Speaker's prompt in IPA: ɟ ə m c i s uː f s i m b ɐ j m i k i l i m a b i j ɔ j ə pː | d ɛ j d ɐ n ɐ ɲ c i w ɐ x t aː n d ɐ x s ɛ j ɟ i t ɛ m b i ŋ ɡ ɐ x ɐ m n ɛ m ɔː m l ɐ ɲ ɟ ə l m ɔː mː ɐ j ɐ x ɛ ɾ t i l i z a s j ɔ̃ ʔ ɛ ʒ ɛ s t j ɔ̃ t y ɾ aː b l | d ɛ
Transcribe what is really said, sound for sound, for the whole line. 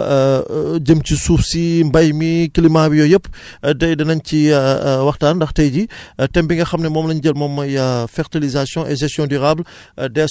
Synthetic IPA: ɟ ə m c i s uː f s i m b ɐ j m i k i l i m a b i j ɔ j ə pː | d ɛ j d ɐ n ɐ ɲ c i w ɐ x t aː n d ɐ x t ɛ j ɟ i t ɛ m b i ŋ ɡ ɐ x ɐ m n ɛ m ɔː m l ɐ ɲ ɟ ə l m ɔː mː ɐ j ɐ f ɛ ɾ t i l i z a s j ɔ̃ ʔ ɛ ʒ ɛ s t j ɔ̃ d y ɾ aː b l | d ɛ